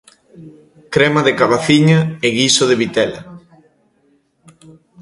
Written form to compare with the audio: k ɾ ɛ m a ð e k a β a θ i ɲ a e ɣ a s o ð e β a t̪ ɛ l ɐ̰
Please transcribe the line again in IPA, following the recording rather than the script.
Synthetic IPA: k ɾ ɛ m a ð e k a β a θ i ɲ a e ɣ i s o ð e β i t̪ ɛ l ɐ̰